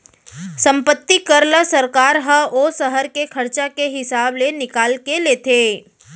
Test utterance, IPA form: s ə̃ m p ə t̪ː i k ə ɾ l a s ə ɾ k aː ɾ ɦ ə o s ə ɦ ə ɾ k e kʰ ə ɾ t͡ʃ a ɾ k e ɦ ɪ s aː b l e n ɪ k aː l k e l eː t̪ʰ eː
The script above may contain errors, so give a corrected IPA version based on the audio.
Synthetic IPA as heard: s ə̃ m p ə t̪ː i k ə ɾ l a s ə ɾ k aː ɾ ɦ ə o s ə ɦ ə ɾ k e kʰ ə ɾ t͡ʃ a k e ɦ ɪ s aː b l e n ɪ k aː l k e l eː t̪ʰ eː